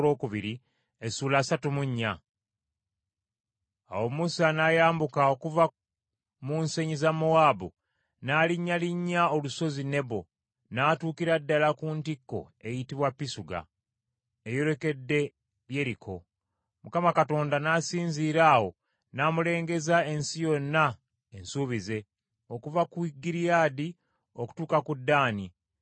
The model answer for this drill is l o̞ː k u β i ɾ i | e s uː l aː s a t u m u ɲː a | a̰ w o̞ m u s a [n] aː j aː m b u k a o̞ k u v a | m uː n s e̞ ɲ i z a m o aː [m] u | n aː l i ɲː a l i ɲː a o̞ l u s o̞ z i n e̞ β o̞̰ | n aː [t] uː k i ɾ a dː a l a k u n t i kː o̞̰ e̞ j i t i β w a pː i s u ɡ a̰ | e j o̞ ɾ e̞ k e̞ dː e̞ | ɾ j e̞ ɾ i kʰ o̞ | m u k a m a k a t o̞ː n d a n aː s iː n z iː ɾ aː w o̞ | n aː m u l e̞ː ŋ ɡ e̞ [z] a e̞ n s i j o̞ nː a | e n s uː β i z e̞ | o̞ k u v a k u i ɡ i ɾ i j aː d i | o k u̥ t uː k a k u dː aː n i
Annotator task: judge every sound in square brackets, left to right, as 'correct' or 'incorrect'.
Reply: correct, incorrect: b, correct, correct

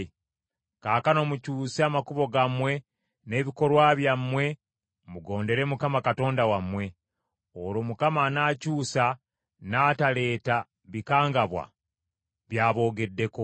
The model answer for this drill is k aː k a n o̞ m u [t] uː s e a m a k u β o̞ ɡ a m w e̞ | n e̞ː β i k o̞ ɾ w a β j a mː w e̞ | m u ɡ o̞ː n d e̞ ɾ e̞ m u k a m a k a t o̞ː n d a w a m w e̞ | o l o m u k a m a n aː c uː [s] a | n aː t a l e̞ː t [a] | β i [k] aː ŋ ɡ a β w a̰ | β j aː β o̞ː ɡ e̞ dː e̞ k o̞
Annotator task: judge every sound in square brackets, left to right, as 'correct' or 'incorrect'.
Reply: incorrect: c, correct, correct, correct

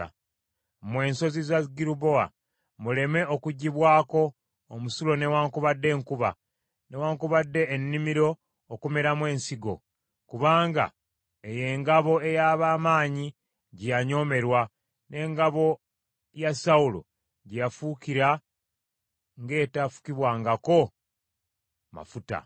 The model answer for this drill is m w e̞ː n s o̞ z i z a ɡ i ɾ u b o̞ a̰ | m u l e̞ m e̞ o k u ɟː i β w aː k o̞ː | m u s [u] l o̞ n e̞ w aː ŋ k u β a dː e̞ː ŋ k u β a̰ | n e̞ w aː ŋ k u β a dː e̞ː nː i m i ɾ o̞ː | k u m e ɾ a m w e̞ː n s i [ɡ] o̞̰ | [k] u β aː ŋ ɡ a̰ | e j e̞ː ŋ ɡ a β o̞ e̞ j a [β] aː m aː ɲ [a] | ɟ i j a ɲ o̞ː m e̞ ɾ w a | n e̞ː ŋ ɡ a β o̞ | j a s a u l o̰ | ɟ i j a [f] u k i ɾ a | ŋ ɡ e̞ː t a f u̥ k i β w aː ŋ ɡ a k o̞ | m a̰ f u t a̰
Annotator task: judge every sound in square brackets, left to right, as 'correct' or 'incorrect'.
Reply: correct, correct, correct, correct, incorrect: i, correct

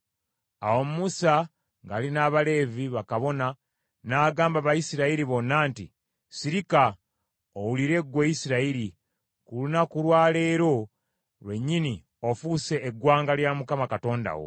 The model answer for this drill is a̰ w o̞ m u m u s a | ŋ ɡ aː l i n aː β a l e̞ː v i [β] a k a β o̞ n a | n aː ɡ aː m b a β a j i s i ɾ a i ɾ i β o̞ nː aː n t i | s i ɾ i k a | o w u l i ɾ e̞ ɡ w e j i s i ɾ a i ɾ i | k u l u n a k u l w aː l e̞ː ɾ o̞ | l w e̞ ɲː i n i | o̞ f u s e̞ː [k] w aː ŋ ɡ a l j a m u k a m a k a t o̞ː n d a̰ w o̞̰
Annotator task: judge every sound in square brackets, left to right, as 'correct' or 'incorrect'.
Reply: correct, incorrect: ɡ

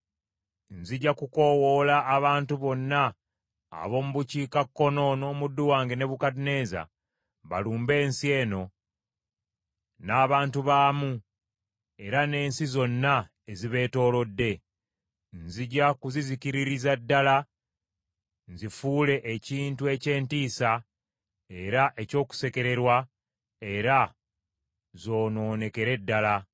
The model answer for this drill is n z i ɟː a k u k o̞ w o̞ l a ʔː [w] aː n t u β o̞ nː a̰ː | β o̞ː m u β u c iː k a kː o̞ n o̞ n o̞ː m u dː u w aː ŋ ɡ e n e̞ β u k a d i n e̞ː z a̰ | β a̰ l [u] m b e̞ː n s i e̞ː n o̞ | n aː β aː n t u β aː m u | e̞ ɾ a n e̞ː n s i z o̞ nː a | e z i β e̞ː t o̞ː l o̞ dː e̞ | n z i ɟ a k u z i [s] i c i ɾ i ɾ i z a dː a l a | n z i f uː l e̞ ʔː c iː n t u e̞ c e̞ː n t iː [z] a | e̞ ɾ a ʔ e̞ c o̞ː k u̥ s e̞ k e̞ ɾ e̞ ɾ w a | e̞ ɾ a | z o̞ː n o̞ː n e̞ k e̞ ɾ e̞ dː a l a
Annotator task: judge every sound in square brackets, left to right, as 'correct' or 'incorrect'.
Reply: incorrect: β, incorrect: uː, incorrect: z, incorrect: s

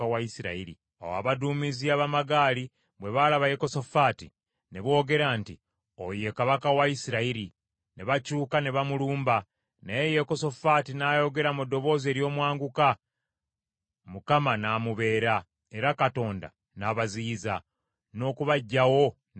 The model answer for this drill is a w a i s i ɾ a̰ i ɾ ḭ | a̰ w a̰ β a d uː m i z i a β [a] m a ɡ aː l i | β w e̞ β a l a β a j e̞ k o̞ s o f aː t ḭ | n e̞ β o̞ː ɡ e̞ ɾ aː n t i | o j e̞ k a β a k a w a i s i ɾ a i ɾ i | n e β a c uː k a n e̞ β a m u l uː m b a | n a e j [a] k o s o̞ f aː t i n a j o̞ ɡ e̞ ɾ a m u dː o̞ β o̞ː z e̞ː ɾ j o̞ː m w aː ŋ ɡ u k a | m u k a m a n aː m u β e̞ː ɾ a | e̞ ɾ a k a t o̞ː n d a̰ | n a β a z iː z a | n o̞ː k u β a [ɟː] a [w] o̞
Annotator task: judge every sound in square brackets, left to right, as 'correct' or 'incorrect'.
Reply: correct, incorrect: e, correct, correct

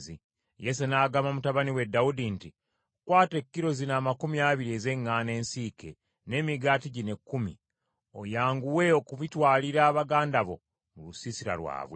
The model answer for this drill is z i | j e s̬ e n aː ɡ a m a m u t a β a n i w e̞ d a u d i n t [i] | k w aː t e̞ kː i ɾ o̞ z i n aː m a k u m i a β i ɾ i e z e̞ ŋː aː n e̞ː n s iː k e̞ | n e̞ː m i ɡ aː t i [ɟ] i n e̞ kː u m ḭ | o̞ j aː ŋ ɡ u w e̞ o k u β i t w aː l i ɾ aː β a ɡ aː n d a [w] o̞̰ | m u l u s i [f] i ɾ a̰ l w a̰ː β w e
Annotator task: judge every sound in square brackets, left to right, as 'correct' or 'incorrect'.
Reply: correct, correct, incorrect: β, incorrect: s

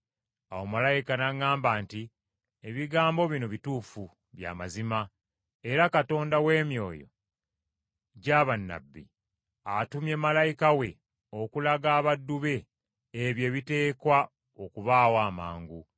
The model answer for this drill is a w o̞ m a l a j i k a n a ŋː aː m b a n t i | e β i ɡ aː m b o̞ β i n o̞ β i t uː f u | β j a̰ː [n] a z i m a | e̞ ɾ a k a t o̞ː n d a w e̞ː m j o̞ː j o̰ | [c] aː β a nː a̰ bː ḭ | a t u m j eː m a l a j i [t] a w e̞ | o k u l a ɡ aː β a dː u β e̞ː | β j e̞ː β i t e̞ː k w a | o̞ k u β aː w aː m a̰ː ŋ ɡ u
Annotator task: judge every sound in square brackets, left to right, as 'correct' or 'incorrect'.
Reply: incorrect: m, incorrect: ɟ, incorrect: k

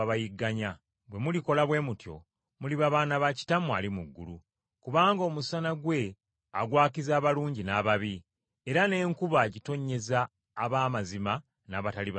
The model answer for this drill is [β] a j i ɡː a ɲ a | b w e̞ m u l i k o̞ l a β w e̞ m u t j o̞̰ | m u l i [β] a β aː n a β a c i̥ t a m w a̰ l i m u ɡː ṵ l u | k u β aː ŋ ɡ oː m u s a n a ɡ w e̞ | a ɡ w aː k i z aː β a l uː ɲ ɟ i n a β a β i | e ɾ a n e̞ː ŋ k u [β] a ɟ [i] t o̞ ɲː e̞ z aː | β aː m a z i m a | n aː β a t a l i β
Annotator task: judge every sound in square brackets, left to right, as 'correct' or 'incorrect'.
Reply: correct, correct, correct, correct

